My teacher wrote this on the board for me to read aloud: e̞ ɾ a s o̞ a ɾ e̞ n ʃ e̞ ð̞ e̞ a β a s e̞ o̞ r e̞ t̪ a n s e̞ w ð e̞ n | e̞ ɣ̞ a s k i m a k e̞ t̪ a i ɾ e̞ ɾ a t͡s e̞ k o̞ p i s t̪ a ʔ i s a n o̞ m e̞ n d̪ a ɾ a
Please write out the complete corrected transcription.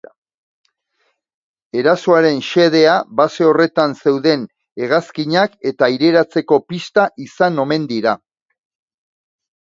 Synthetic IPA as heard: e̞ ɾ a s o̞ a ɾ e̞ n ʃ e̞ ð̞ e̞ a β a s e̞ o̞ r e̞ t̪ a n s e̞ w ð e̞ n | e̞ ɣ̞ a s k i ɲ a k e̞ t̪ a i ɾ e̞ ɾ a t͡s e̞ k o̞ p i s t̪ a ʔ i s a n o̞ m e̞ n d̪ i ɾ a